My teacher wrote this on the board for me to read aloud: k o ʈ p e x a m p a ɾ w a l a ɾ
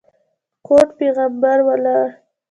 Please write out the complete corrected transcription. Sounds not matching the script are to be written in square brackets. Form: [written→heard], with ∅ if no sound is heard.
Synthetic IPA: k o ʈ p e [x→ɣ] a m [p→b] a ɾ w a l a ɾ